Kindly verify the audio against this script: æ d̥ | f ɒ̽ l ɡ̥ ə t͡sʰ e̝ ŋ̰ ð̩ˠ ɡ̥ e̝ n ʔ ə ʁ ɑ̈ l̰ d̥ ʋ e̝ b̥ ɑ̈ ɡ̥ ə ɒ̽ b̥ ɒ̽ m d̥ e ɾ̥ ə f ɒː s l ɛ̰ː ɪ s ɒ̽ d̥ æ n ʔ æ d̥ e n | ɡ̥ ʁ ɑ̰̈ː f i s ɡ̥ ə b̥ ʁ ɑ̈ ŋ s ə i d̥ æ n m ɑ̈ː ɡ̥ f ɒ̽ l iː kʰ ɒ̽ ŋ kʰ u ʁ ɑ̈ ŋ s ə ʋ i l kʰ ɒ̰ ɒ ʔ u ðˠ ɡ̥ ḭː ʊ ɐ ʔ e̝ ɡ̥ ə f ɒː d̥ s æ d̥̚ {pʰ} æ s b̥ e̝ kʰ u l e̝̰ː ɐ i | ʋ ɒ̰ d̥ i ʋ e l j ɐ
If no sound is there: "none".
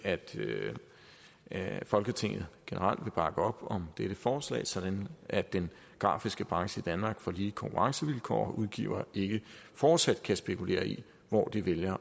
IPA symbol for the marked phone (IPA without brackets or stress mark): kʰ